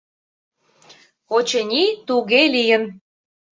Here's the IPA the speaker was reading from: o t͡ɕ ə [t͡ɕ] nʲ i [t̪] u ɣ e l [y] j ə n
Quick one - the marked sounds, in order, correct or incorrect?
incorrect, correct, incorrect

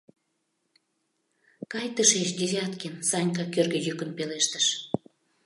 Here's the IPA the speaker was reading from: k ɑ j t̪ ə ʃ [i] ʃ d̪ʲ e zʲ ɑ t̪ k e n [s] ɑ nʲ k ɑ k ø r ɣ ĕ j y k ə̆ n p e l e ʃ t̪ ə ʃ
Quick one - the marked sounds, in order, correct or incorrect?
incorrect, correct

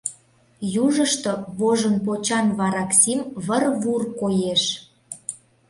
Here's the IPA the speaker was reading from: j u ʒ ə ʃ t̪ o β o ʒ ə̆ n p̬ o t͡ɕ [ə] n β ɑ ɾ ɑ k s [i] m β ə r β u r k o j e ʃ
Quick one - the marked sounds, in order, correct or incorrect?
incorrect, correct

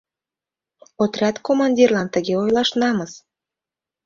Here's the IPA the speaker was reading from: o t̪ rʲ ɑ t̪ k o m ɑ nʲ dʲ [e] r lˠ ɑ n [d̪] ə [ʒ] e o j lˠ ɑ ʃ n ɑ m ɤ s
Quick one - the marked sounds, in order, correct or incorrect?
incorrect, incorrect, incorrect

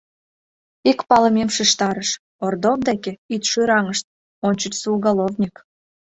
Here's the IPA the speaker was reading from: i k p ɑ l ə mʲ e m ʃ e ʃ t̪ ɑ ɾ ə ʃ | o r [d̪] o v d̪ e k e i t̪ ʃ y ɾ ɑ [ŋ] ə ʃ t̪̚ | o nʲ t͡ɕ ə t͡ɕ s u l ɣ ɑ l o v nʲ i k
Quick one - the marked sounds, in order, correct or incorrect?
correct, correct

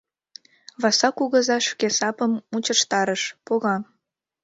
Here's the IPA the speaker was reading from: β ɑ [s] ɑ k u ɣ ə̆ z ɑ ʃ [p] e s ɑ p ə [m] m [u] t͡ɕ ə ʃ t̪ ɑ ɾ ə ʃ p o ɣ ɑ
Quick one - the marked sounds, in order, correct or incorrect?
correct, incorrect, correct, correct

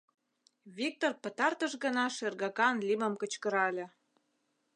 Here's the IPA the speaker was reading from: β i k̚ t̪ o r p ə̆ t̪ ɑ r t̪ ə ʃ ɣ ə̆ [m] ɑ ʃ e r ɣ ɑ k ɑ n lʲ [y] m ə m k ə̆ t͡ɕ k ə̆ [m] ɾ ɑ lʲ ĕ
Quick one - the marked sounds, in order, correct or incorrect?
incorrect, incorrect, incorrect

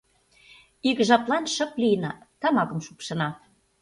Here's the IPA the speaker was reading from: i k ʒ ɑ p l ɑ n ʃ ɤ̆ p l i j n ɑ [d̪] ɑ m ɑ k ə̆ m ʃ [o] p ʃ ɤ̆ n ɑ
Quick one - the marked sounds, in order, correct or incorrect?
incorrect, incorrect

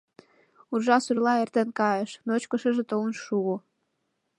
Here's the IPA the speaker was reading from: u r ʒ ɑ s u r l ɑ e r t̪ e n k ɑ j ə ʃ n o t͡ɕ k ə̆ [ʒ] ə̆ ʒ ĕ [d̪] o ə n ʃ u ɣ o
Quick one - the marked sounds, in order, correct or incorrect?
incorrect, incorrect

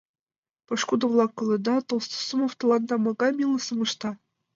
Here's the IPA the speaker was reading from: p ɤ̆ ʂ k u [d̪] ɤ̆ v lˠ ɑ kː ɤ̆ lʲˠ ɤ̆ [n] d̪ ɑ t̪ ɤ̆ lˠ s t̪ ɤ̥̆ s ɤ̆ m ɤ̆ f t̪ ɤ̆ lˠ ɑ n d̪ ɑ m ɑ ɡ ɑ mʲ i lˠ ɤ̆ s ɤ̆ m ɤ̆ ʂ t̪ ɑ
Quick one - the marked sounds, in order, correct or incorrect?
correct, incorrect

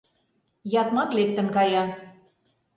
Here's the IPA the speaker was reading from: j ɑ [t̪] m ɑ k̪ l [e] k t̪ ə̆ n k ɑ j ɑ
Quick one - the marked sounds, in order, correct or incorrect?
correct, correct

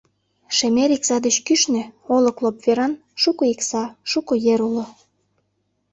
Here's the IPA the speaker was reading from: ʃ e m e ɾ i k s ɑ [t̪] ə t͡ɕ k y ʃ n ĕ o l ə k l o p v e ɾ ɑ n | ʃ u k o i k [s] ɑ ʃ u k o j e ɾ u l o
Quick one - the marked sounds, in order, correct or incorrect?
incorrect, correct

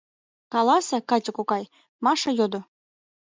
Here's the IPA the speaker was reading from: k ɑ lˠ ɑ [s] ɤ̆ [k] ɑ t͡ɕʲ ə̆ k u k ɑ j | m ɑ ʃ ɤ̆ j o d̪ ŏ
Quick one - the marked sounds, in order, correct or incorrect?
correct, correct

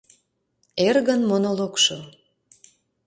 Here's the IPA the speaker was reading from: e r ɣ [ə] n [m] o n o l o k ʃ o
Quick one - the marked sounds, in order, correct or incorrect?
correct, correct

